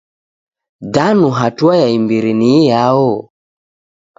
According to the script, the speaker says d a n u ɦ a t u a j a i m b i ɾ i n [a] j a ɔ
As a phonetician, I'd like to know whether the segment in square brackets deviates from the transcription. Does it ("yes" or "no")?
yes